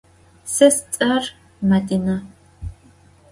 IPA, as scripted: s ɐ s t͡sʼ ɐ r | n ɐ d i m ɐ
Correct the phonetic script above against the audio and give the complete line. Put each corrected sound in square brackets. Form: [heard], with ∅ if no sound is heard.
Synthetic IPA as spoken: s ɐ s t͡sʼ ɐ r | [m] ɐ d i [n] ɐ